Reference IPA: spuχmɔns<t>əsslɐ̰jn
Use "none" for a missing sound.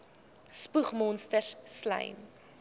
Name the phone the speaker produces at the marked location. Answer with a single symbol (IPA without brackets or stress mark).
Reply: t